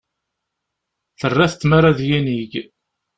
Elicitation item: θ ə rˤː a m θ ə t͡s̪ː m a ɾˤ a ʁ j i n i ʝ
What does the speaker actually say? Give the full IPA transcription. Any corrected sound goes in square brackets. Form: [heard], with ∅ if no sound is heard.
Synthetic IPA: θ ə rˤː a [∅] θ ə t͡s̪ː m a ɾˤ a [ð] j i n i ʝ